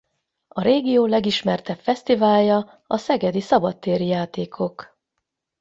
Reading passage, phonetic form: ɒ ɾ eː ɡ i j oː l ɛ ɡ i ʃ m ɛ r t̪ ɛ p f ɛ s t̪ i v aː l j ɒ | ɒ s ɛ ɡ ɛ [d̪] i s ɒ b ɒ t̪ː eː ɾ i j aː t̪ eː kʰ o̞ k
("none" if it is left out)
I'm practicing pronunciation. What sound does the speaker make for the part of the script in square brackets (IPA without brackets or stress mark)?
d̪